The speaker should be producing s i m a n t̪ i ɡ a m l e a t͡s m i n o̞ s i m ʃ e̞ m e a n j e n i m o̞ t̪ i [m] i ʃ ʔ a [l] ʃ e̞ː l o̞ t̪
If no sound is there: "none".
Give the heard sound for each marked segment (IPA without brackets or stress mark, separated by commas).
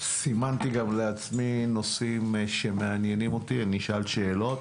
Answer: n, l